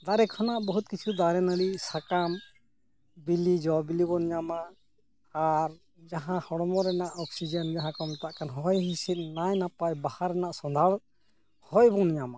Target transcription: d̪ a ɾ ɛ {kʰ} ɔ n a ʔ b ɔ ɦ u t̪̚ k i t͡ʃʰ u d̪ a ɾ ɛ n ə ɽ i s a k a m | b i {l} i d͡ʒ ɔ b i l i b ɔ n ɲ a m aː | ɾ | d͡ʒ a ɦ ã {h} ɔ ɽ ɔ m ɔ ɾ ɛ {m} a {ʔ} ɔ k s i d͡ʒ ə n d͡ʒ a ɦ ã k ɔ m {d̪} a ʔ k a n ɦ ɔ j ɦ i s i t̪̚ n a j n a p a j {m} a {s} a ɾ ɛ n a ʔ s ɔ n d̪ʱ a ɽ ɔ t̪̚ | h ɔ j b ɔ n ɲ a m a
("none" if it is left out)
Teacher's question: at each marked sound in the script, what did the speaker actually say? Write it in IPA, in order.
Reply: kʰ, l, h, n, ʔ, t̪, b, h

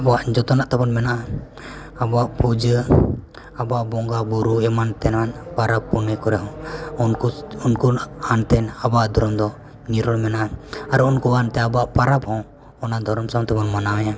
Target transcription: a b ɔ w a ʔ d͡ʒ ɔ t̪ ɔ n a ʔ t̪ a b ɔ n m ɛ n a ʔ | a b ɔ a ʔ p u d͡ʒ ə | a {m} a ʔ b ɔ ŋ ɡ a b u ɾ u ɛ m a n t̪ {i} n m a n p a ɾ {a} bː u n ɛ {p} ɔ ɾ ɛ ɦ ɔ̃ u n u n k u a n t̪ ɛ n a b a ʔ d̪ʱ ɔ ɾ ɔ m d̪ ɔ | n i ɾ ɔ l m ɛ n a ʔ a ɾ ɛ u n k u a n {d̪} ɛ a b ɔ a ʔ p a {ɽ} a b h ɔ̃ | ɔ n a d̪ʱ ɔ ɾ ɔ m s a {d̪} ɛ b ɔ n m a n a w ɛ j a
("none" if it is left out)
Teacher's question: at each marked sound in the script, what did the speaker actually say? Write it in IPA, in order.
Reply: b, ɛ, a, k, t̪, ɾ, t̪

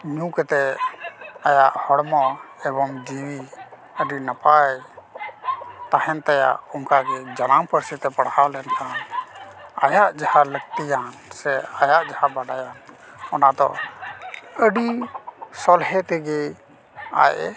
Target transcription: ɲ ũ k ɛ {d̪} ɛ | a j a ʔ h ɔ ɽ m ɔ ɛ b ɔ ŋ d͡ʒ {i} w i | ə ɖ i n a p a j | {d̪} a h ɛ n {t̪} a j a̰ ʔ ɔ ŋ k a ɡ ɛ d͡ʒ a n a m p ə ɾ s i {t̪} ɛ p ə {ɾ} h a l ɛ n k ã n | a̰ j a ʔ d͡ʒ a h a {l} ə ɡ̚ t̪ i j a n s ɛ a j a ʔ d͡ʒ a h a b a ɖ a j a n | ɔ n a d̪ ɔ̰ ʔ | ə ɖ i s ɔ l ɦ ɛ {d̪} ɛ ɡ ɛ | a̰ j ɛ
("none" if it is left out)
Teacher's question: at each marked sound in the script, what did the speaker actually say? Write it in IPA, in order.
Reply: t̪, i, t̪, t̪, t̪, ɽ, l, t̪

